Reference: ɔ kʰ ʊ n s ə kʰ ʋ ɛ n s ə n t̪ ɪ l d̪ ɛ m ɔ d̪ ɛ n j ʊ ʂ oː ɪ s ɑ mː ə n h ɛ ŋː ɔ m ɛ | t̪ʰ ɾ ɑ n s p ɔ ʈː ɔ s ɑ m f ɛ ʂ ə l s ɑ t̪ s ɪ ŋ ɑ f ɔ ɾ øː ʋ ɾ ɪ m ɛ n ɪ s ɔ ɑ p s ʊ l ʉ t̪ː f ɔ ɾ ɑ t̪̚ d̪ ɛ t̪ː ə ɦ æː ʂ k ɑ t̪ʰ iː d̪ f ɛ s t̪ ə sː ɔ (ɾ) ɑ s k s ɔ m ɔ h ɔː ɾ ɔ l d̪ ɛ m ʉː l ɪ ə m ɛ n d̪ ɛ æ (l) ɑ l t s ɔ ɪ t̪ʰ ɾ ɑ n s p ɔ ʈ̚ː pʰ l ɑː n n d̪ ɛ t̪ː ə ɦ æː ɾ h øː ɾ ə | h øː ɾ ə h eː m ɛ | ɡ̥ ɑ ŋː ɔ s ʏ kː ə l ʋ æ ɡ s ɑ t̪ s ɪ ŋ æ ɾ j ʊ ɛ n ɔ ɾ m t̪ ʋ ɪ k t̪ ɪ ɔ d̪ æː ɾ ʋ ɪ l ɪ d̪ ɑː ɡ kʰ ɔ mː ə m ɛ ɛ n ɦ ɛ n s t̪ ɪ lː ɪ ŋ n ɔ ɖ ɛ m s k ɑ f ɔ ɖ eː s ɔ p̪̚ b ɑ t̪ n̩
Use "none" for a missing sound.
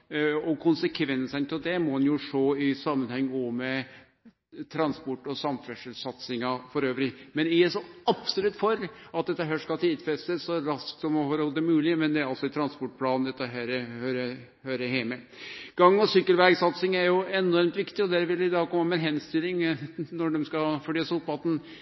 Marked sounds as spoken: ɾ, ɾ

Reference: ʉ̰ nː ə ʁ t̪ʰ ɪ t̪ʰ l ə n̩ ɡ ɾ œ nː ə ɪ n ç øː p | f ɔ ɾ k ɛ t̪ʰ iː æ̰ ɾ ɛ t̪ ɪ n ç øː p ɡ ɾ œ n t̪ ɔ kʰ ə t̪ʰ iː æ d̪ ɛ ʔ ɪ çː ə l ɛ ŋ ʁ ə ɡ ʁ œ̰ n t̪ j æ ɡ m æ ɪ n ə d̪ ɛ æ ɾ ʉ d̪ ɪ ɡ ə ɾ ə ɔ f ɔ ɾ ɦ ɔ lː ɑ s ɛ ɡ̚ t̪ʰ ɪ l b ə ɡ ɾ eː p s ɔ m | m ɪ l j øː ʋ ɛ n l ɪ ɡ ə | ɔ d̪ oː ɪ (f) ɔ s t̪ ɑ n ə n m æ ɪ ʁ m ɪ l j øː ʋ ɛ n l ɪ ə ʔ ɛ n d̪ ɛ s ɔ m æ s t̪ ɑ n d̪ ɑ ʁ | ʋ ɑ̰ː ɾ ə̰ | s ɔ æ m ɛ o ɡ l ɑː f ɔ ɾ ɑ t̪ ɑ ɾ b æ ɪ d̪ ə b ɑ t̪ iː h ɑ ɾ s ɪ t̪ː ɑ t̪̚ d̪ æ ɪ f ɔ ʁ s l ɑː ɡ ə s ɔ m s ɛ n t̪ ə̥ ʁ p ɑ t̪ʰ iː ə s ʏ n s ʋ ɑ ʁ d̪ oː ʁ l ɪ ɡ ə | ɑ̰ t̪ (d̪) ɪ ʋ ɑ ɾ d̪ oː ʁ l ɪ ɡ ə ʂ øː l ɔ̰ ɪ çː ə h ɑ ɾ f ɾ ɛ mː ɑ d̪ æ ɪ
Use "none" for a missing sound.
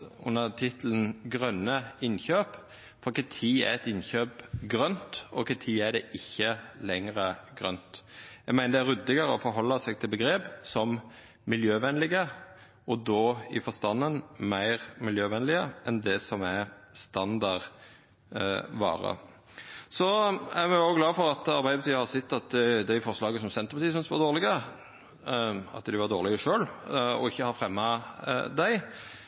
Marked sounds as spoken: f, d̪

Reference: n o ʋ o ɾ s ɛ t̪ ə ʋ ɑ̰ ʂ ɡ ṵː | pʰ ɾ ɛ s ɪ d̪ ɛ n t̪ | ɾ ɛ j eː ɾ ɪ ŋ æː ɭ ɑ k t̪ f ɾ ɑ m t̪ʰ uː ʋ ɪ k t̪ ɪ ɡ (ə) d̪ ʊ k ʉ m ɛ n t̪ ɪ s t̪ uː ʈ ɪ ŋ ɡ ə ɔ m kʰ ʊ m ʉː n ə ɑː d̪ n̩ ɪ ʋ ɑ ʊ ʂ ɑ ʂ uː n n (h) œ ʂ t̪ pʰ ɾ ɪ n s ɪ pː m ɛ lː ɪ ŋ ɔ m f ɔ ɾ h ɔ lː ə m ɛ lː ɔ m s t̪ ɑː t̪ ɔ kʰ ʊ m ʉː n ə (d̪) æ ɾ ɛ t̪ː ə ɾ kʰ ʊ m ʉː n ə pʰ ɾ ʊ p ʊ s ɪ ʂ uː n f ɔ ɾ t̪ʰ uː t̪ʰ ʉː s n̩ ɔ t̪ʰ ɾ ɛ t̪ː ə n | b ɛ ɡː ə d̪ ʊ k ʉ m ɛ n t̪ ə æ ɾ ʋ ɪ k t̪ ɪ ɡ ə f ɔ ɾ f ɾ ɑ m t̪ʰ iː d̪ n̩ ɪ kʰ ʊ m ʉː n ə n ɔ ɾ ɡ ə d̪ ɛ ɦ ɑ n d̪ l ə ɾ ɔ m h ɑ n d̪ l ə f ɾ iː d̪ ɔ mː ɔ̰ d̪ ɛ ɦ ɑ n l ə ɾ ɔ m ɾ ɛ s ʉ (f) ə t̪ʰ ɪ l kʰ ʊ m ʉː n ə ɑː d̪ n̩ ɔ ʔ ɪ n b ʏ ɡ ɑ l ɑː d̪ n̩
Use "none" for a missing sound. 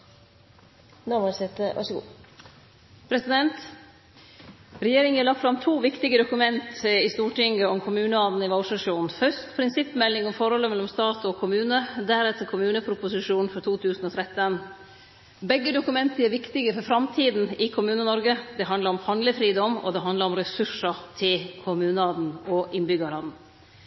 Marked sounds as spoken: ə, f, d̪, ʂ

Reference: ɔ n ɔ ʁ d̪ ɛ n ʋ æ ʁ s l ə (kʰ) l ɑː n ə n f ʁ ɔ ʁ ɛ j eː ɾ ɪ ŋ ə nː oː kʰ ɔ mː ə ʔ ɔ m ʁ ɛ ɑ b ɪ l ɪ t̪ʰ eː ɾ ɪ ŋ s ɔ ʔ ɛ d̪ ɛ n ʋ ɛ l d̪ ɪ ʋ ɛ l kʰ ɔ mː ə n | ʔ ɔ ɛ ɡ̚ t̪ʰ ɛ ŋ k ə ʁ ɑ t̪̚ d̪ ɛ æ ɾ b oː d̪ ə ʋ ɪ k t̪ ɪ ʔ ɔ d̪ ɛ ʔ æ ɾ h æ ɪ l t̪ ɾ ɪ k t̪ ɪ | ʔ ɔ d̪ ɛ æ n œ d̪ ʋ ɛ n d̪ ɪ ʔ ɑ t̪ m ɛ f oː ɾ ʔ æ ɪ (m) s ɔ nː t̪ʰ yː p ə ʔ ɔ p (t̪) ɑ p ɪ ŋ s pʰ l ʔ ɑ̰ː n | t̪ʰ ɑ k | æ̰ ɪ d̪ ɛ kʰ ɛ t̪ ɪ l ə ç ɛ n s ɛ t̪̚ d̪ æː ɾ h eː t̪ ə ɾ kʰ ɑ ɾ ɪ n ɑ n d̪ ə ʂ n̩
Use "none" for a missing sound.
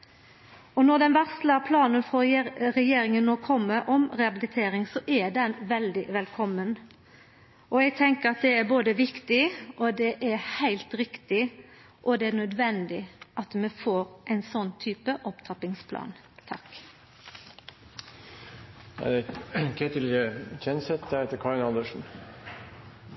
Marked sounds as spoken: pʰ, n, t̪ʰ

